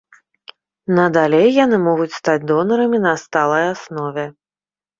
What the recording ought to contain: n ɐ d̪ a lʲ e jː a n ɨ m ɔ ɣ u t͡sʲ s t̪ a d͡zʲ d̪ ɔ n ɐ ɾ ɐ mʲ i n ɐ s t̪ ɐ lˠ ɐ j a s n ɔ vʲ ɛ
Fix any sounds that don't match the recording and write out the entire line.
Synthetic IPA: n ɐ d̪ a lʲ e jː a n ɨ m ɔ ɣ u t͡sʲ s t̪ a d͡zʲ d̪ ɔ n ɐ ɾ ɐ mʲ i n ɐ s t̪ a lˠ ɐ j a s n ɔ vʲ ɛ